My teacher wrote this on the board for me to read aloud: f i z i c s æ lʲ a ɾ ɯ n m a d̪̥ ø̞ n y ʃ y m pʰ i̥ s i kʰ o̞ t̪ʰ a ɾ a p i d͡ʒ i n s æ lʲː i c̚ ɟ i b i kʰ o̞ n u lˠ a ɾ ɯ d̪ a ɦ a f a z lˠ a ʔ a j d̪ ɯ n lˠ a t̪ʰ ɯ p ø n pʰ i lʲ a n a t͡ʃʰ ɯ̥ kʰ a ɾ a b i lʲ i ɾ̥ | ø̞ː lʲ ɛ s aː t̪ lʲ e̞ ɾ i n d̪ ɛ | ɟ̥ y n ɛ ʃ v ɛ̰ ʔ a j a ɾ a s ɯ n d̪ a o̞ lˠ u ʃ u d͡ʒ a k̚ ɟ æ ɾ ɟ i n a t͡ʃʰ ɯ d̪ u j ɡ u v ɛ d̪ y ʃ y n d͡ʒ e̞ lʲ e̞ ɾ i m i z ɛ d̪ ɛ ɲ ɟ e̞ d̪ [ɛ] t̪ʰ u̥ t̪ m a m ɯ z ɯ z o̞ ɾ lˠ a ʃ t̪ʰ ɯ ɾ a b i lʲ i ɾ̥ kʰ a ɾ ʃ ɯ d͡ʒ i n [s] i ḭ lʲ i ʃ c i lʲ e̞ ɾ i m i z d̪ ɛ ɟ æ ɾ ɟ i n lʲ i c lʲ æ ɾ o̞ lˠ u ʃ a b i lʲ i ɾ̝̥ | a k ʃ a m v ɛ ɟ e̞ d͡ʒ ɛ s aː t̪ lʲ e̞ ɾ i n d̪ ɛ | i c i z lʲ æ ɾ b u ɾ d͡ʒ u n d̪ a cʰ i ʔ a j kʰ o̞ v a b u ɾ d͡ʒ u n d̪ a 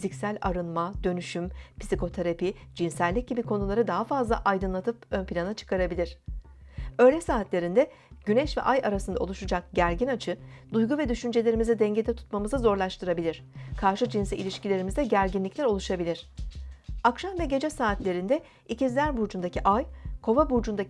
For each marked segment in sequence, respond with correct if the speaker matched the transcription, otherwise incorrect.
correct, correct

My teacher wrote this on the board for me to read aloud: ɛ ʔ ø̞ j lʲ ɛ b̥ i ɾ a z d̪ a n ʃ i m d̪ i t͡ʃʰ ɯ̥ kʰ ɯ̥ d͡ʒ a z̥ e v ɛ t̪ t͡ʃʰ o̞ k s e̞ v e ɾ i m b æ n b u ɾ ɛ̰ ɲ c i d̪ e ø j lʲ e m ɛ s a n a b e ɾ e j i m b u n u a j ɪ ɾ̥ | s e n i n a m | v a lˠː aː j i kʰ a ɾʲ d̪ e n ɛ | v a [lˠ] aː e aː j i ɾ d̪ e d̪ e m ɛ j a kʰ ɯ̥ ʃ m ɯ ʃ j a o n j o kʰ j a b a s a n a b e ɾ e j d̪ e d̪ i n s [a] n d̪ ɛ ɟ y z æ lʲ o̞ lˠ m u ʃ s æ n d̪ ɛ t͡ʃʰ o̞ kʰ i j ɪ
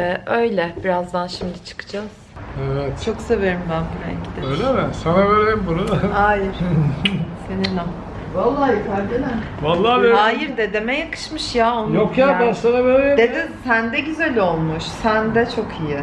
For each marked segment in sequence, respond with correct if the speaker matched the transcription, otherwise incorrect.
incorrect: lˠː, incorrect: æ

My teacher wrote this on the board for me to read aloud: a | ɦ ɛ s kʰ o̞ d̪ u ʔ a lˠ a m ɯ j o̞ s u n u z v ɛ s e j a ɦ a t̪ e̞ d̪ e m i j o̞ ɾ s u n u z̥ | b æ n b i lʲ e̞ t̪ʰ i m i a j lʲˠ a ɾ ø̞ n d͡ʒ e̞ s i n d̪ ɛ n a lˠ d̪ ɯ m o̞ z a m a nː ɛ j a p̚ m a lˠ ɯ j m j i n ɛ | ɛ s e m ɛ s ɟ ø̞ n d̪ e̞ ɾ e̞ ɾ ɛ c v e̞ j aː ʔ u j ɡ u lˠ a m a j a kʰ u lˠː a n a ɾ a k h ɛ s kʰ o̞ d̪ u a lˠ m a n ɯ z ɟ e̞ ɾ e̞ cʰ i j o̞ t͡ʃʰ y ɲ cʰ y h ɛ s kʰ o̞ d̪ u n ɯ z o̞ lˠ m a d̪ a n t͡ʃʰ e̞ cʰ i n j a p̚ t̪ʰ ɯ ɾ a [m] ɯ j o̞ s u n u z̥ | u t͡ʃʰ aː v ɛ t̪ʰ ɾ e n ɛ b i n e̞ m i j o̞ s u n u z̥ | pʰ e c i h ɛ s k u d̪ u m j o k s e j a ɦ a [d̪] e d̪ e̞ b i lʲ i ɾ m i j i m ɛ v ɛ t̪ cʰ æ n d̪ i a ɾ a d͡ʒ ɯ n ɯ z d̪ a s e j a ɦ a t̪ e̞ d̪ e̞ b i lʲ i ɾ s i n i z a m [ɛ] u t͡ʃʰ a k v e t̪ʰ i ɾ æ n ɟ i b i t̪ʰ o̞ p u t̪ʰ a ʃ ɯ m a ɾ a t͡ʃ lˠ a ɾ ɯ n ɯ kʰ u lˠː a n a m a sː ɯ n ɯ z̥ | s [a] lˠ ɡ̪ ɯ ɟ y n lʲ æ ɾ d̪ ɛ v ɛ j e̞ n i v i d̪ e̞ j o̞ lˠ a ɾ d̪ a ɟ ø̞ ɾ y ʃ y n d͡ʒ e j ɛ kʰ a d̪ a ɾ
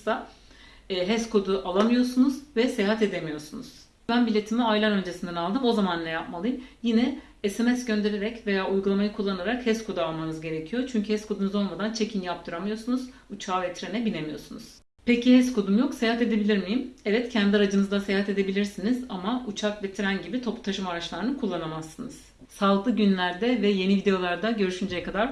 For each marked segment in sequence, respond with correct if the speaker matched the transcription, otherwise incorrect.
correct, incorrect: t̪, incorrect: a, correct

